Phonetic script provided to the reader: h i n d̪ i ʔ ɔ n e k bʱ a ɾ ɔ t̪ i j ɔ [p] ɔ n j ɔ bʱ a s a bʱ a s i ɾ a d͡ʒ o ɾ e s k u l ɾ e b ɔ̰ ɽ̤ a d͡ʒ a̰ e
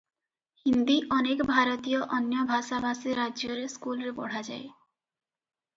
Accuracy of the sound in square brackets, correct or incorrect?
incorrect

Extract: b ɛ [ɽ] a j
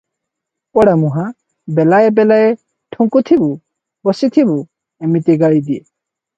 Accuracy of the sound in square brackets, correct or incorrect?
incorrect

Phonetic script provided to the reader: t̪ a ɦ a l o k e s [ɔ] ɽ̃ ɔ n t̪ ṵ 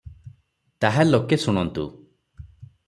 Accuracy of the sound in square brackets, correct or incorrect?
incorrect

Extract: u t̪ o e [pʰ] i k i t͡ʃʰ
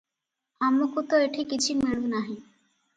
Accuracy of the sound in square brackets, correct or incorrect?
incorrect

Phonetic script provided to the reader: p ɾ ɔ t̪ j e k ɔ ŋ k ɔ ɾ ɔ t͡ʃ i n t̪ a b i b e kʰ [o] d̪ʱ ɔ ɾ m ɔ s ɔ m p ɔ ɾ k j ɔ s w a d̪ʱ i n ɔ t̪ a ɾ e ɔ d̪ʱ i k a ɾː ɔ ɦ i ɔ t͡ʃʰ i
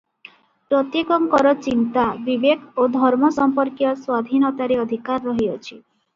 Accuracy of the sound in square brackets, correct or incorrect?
correct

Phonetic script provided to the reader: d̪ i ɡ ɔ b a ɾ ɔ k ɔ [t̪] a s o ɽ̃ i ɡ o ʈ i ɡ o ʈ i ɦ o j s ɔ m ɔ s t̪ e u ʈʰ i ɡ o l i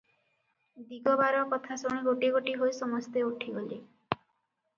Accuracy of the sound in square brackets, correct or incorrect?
incorrect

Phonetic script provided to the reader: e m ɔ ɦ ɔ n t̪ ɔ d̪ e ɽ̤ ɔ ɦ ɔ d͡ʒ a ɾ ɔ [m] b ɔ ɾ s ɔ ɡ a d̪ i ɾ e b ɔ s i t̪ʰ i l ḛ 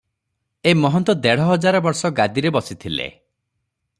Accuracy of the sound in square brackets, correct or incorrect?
incorrect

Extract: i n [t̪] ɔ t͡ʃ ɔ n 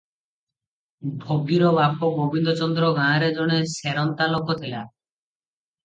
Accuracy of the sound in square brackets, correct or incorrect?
incorrect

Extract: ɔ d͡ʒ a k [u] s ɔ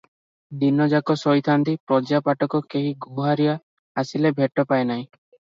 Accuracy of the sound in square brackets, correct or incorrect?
incorrect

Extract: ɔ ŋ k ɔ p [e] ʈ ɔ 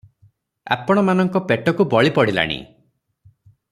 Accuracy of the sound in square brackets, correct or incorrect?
correct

